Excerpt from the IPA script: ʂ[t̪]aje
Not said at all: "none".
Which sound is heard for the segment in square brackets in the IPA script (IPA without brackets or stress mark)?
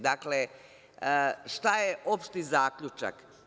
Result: t̪